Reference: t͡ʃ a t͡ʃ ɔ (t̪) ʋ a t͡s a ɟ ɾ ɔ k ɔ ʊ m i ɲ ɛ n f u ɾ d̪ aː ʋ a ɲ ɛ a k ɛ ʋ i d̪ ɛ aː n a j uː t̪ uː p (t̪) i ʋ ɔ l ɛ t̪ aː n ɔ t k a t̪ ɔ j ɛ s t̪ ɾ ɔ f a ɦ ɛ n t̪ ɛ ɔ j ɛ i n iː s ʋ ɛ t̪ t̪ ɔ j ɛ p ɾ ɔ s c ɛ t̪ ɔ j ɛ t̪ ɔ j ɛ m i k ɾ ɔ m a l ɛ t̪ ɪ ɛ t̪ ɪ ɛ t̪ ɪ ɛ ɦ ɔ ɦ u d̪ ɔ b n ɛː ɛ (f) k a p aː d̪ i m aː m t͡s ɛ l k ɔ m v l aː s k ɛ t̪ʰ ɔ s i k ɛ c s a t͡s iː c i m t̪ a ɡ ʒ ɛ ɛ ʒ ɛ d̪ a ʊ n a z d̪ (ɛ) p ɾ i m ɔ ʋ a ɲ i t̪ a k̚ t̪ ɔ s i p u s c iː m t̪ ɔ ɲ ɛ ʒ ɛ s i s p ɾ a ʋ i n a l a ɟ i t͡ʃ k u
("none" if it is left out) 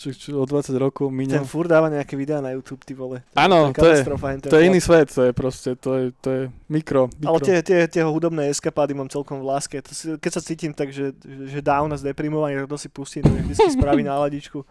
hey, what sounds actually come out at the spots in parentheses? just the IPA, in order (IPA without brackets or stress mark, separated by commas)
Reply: d̪, t̪, s, ɛ